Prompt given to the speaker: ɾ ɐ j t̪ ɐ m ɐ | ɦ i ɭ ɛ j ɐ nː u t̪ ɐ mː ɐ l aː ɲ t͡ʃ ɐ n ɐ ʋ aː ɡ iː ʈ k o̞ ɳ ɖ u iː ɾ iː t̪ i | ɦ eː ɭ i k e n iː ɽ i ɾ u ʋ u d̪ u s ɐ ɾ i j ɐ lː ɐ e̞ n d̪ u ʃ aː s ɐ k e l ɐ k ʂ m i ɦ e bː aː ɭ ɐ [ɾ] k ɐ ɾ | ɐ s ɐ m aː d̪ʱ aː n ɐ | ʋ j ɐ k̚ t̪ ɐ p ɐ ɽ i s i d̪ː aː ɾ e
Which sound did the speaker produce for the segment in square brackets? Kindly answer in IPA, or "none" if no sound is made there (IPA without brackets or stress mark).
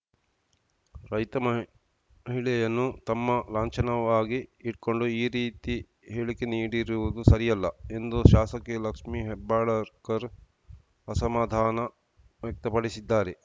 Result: ɾ